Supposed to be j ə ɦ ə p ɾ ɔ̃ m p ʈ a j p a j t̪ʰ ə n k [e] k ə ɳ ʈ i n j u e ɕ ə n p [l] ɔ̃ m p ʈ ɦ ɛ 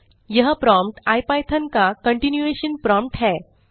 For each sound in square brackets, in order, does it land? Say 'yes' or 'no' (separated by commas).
no, no